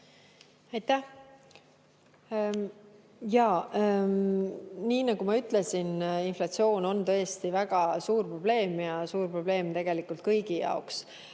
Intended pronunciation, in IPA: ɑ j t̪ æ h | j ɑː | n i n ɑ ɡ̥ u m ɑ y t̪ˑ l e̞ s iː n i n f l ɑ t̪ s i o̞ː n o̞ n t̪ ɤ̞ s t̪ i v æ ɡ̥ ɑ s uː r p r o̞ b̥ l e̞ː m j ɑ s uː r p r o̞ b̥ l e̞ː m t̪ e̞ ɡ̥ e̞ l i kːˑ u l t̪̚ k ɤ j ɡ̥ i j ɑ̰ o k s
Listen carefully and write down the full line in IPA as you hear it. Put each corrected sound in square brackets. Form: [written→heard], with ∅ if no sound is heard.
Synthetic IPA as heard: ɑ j t̪ æ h | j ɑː | n [i→iː] n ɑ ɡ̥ u m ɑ y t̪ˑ l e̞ s [iː→i] n i n f l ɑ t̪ s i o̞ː n o̞ n t̪ ɤ̞ s t̪ i v æ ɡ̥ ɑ s uː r p r o̞ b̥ l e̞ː m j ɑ s uː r p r o̞ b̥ l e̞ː m t̪ e̞ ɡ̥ e̞ l i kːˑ u l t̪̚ k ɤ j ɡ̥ i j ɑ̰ o k s